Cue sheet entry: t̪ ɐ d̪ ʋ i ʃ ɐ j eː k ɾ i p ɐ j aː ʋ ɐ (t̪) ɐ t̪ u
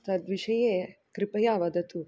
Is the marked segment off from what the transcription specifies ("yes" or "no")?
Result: yes